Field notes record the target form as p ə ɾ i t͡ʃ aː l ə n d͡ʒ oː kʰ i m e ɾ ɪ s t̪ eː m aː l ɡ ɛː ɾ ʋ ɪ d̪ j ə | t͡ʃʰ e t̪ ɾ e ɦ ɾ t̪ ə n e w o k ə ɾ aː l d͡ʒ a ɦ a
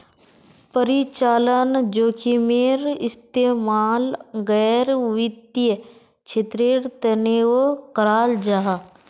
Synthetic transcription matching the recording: p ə ɾ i t͡ʃ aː l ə n d͡ʒ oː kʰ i m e ɾ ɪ s t̪ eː m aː l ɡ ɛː ɾ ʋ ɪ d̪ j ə | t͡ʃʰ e t̪ ɾ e ɾ t̪ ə n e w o k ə ɾ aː l d͡ʒ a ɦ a